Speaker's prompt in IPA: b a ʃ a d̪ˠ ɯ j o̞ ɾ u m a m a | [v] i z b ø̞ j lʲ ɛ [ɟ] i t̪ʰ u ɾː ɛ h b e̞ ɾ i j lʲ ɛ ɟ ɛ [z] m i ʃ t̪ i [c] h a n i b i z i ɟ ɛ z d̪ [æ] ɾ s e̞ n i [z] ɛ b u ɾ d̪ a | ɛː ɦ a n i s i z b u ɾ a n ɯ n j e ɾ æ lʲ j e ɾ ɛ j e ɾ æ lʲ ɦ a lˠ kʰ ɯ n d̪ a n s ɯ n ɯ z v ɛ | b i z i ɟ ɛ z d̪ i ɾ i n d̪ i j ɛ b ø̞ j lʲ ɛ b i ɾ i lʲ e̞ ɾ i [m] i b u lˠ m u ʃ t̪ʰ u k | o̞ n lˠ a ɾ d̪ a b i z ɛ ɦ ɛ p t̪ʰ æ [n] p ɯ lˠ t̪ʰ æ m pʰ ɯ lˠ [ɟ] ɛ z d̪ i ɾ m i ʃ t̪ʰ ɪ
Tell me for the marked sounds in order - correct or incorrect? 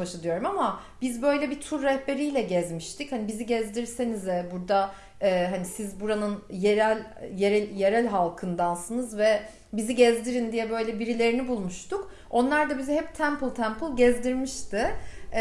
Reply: incorrect, incorrect, correct, correct, incorrect, correct, incorrect, incorrect, correct

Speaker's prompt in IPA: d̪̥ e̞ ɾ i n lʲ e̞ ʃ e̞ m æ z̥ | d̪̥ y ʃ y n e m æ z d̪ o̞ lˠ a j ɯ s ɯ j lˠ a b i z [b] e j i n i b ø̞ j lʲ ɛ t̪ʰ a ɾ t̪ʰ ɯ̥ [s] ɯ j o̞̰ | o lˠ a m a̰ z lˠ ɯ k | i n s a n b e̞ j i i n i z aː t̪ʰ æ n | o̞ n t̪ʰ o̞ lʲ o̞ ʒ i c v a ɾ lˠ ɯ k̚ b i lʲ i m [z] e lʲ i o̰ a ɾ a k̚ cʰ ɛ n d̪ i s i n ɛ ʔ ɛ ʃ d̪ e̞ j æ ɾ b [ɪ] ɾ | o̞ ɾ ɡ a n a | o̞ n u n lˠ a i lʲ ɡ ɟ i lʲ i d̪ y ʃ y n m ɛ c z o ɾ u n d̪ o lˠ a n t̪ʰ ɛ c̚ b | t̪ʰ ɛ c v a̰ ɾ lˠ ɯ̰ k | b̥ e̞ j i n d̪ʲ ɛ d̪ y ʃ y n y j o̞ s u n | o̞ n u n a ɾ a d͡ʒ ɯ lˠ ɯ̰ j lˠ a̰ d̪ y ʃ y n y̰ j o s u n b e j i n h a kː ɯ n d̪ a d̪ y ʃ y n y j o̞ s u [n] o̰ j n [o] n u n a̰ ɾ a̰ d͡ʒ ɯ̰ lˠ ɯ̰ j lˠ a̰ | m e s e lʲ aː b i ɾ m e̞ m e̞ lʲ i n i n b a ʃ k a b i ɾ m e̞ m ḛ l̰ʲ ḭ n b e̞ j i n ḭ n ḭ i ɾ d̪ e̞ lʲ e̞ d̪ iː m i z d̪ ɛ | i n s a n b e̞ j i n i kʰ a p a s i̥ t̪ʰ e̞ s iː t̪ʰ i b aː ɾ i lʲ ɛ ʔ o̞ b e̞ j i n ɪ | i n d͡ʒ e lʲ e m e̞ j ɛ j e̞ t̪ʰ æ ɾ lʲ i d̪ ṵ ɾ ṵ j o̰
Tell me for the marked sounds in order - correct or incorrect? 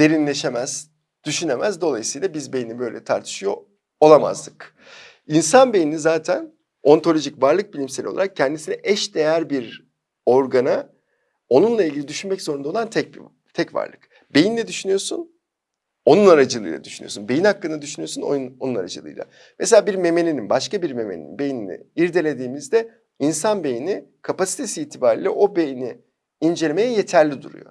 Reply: correct, incorrect, incorrect, incorrect, correct, correct

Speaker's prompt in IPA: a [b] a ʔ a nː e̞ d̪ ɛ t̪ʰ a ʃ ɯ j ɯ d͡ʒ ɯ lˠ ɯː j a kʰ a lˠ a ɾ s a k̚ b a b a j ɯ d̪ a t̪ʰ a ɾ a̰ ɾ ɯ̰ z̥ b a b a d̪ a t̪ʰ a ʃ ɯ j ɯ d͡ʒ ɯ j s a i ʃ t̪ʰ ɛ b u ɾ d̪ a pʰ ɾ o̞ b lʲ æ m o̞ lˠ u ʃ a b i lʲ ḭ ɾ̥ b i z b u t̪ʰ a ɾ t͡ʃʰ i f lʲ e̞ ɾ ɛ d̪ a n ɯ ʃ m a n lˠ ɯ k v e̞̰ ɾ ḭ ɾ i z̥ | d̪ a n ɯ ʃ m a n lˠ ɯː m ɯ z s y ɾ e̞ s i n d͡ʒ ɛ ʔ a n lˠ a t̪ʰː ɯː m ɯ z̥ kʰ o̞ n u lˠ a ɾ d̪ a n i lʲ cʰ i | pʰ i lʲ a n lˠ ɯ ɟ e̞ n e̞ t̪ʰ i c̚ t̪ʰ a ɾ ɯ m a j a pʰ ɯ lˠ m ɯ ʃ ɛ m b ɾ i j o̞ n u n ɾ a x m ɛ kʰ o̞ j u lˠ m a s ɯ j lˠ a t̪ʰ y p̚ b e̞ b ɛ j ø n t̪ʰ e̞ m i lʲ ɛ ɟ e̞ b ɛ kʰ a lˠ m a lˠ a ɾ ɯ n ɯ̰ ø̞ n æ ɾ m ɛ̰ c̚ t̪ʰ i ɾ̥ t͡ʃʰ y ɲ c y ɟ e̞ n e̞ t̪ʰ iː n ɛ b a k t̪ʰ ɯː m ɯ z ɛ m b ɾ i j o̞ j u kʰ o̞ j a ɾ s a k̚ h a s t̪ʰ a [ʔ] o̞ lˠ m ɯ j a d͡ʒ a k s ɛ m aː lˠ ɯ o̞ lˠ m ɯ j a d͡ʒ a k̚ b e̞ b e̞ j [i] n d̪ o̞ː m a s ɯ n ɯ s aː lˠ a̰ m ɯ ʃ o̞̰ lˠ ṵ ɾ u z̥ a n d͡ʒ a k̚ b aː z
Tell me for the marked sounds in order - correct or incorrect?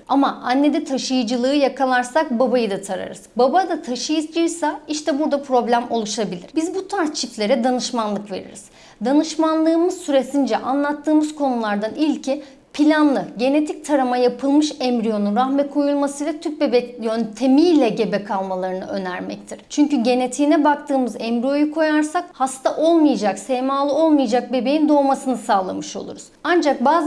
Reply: incorrect, correct, correct

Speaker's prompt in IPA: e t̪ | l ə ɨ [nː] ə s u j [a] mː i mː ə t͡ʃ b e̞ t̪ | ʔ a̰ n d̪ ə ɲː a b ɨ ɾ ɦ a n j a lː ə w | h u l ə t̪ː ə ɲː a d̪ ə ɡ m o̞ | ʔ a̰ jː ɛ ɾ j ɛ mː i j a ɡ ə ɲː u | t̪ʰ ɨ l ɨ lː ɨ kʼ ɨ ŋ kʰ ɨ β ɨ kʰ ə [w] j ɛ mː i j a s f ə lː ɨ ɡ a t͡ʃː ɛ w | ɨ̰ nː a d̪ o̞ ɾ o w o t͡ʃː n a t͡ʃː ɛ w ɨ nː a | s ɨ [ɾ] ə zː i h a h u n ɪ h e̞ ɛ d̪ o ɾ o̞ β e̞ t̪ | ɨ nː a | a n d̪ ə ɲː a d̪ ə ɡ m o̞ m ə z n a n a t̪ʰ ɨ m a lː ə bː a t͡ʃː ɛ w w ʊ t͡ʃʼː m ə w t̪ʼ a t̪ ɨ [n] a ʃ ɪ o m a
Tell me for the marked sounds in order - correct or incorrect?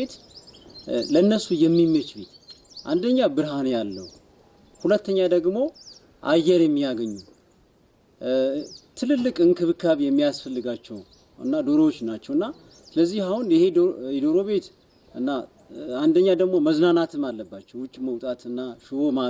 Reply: correct, incorrect, incorrect, incorrect, incorrect

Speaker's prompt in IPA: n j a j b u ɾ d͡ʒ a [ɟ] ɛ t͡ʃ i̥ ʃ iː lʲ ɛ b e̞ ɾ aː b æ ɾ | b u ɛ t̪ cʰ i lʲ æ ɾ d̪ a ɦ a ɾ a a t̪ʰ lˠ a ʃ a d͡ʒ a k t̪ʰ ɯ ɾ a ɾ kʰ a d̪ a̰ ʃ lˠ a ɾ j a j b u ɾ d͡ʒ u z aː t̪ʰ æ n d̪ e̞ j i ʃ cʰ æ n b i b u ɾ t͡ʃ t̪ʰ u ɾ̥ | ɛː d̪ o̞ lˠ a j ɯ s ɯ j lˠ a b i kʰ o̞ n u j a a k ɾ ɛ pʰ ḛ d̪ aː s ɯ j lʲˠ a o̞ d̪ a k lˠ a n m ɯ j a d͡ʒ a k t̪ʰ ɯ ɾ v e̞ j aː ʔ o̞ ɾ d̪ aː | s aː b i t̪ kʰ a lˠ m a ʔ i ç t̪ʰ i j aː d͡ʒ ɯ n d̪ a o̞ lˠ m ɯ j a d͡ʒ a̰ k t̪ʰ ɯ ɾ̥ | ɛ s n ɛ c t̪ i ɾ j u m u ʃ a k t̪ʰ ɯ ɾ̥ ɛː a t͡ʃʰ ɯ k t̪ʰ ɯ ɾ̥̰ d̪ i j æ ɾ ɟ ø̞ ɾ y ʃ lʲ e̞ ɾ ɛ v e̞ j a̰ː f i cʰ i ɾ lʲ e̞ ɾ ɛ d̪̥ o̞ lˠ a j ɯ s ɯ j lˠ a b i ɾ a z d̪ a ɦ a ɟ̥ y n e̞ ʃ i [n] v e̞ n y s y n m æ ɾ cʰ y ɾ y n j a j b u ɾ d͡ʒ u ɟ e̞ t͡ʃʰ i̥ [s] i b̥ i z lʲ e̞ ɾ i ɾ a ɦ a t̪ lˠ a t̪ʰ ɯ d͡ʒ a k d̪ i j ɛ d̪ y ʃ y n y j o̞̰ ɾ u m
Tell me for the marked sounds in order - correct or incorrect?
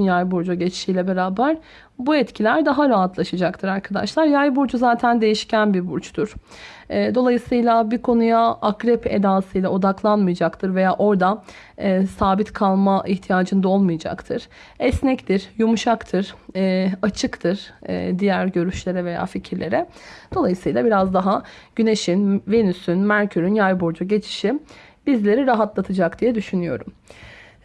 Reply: correct, correct, incorrect

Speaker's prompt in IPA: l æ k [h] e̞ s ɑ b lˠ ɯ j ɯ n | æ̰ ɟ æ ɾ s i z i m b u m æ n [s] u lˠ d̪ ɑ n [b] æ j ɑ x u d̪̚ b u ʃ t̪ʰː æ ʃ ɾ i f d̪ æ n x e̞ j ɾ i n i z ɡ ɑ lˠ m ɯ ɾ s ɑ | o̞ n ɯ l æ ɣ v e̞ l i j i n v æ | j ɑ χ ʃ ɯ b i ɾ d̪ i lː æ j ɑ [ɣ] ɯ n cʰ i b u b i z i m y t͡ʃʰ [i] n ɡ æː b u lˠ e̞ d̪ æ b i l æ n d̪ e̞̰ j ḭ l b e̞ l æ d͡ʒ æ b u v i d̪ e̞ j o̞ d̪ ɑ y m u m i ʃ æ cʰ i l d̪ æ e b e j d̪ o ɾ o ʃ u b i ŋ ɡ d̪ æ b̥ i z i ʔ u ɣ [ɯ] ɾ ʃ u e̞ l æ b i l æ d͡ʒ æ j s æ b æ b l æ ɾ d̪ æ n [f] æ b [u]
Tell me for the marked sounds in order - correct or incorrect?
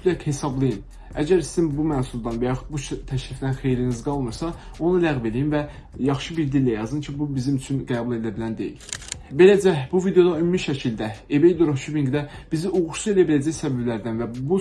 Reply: correct, correct, incorrect, incorrect, incorrect, incorrect, incorrect, correct

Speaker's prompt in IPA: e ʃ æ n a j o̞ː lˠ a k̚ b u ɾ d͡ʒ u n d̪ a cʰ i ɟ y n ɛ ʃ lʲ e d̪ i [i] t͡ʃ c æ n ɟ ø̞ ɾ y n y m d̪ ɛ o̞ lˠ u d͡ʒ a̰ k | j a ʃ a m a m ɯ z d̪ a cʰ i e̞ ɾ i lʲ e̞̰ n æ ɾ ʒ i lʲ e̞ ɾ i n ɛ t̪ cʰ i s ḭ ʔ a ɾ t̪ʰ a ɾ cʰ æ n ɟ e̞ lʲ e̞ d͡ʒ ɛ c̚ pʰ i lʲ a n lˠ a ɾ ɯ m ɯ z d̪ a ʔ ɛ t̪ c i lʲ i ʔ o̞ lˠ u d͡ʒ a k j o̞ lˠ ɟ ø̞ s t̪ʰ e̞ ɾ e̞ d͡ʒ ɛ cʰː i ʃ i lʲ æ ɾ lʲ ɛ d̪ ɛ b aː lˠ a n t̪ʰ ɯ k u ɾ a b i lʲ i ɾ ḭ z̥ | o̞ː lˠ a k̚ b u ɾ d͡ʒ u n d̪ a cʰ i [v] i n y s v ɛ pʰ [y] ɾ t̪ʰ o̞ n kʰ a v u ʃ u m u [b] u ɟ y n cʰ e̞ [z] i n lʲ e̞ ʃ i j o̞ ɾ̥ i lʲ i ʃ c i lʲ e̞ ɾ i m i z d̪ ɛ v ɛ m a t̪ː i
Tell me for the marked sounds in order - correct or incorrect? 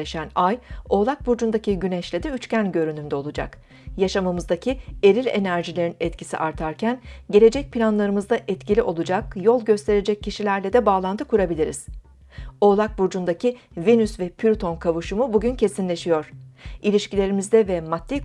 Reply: incorrect, correct, correct, correct, incorrect

